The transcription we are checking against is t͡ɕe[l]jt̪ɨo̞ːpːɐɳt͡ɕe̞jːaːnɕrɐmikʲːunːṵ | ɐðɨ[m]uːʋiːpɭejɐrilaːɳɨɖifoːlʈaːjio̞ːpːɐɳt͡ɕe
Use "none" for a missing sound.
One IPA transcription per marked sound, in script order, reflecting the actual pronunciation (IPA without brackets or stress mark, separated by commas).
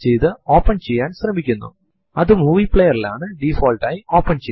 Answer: none, m